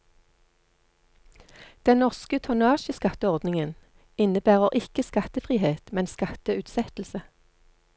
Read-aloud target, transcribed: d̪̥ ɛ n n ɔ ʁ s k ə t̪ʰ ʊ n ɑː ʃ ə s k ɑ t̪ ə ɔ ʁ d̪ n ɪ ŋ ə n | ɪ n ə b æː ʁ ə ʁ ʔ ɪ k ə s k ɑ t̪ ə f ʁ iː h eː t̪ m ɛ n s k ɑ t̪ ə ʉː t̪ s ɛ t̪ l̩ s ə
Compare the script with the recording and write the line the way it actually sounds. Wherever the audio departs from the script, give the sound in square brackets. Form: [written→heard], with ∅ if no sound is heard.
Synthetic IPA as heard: d̪̥ ɛ n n ɔ ʁ s k ə t̪ʰ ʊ n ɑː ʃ ə s k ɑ t̪ ə ɔ ʁ d̪ n ɪ ŋ ə n | ɪ n ə b æː ʁ ə ʁ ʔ ɪ k ə s k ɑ t̪ ə f ʁ iː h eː t̪ m ɛ n s k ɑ t̪ ə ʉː t̪ s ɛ t̪ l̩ s ə